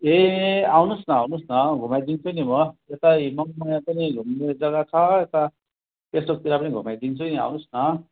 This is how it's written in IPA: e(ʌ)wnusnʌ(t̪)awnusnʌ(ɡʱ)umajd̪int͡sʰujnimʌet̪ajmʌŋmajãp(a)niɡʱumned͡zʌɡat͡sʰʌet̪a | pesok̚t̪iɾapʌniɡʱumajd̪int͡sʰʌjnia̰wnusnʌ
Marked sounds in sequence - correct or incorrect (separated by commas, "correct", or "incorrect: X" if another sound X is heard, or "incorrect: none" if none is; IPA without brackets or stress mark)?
incorrect: a, incorrect: none, correct, incorrect: ʌ